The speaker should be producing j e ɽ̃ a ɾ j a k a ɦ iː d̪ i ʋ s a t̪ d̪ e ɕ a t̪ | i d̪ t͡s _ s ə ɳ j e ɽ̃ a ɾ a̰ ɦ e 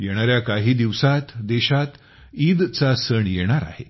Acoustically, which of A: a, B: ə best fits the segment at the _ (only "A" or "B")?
A